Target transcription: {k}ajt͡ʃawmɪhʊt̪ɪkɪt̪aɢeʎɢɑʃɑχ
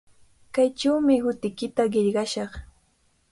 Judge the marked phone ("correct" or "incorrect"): correct